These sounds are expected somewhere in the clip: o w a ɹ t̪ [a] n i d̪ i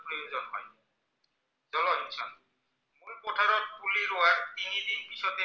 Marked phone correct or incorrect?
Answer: incorrect